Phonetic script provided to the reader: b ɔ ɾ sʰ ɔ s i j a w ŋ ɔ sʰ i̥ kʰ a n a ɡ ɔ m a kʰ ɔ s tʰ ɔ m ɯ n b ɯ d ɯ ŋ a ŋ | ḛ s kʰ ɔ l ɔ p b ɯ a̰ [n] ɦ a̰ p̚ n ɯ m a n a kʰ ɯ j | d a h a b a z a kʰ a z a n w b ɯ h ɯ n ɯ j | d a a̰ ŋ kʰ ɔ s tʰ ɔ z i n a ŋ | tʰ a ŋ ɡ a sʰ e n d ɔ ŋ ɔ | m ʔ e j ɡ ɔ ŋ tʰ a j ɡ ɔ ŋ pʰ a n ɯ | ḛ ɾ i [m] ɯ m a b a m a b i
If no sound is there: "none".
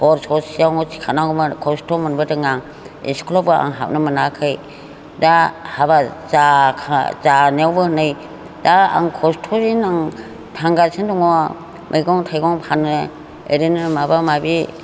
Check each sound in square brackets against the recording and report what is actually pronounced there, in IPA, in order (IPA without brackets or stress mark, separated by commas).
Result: ŋ, n